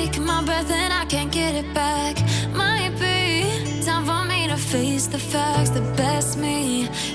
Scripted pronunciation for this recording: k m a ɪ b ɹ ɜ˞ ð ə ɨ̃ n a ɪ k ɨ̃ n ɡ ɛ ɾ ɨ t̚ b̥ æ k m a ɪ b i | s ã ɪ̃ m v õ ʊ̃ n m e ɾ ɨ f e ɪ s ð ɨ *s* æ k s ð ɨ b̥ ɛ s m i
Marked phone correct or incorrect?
incorrect: f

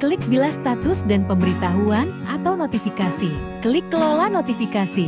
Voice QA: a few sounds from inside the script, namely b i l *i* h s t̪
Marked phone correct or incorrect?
incorrect: a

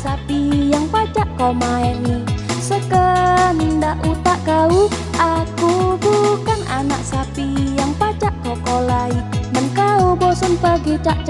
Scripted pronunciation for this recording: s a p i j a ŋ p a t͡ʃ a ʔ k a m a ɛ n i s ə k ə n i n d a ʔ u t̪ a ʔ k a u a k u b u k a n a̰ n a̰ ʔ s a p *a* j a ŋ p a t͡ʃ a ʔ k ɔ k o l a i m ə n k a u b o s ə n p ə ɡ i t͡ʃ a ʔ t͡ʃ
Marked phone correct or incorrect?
incorrect: i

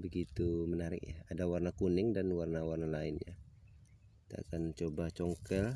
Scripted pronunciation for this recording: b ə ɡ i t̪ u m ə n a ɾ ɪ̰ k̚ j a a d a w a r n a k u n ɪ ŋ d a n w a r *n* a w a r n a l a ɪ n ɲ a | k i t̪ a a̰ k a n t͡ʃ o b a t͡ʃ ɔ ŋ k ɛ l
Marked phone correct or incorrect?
correct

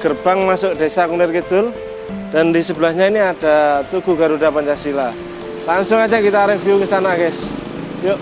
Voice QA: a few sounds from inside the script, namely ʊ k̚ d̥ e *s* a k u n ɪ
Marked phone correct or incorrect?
correct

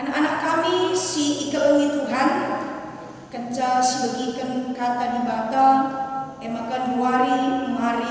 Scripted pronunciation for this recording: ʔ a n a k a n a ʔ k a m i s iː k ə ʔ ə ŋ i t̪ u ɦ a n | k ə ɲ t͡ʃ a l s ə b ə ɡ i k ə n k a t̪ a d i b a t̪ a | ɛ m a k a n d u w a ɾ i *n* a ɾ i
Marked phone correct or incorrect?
incorrect: m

